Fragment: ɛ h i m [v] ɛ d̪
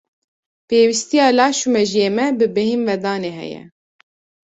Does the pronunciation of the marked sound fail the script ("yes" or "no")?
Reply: no